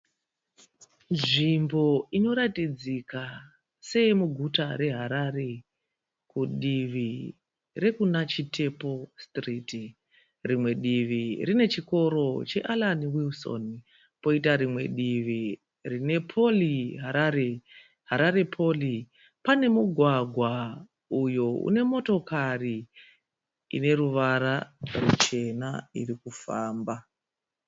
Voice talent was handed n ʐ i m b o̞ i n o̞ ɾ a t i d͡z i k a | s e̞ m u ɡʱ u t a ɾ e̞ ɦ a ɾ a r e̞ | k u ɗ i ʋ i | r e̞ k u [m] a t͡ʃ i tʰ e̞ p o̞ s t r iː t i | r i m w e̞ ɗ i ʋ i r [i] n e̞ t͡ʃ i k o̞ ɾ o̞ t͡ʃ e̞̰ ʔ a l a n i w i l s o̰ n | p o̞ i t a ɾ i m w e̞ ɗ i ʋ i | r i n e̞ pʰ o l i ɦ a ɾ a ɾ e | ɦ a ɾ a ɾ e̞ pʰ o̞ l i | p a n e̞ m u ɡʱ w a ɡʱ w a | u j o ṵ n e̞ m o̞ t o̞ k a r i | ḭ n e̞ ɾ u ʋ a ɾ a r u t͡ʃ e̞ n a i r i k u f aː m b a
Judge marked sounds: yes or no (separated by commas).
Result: no, yes